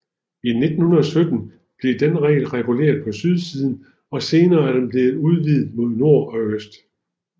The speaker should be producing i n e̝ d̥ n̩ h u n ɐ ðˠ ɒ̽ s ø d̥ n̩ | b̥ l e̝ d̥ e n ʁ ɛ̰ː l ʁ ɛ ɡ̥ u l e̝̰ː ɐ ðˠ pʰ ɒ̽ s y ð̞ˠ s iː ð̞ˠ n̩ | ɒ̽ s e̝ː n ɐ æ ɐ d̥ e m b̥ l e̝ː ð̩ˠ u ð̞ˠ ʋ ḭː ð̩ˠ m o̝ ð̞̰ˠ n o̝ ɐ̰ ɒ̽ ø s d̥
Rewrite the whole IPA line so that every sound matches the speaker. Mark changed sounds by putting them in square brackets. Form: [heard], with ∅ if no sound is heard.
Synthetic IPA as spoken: i n e̝ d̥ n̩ h u n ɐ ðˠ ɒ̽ s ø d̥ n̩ | b̥ l e̝ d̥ e n ʁ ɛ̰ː l ʁ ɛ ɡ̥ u l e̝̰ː ɐ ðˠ pʰ ɒ̽ s y ð̞ˠ s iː ð̞ˠ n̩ | ɒ̽ s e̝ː n [ɐː] æ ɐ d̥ e m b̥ l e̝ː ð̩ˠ u ð̞ˠ ʋ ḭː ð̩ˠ m o̝ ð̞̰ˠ n o̝ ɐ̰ ɒ̽ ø s d̥